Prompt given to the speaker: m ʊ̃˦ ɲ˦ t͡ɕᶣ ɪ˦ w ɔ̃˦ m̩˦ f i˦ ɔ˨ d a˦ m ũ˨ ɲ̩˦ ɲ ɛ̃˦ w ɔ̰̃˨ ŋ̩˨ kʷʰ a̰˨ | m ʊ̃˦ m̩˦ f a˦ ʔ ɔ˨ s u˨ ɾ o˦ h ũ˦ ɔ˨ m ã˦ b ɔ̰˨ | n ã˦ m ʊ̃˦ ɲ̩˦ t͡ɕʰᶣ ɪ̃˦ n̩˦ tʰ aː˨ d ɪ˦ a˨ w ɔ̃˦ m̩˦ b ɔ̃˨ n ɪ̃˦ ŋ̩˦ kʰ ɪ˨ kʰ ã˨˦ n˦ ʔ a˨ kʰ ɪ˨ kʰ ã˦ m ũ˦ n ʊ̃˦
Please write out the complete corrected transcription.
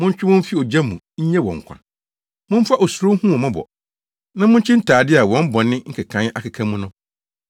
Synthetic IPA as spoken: m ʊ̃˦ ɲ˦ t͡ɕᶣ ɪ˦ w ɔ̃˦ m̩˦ f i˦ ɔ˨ d͡ʑ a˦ m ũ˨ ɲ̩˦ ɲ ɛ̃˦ w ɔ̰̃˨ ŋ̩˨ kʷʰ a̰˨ | m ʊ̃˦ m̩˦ f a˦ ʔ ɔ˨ s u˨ ɾ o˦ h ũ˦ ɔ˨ m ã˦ b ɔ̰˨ | n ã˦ m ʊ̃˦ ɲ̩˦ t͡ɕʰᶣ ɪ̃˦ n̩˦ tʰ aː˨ d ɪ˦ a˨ w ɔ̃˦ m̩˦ b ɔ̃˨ n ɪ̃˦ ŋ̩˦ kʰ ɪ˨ kʰ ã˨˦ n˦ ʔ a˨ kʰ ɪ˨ kʰ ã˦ m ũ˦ n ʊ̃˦